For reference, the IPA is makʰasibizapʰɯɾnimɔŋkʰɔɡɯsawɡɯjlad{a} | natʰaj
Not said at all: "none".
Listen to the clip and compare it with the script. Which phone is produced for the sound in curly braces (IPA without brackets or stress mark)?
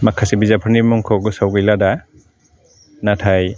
a